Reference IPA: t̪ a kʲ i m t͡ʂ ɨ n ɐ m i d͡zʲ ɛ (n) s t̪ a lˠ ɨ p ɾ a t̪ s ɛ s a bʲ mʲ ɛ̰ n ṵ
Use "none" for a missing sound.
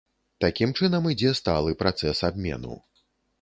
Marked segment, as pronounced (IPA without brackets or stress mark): none